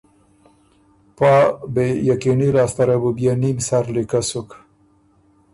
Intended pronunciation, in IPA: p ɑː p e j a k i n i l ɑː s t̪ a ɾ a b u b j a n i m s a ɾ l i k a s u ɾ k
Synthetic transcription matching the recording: p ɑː b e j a k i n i l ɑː s t̪ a ɾ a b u b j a n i m s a ɾ l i k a s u k